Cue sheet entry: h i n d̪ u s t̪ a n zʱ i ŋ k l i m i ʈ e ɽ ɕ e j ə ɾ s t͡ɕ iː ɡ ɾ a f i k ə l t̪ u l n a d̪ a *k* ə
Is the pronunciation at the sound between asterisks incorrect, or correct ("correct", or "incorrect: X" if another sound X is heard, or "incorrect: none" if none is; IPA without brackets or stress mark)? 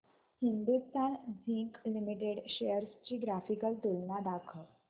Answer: incorrect: kʰ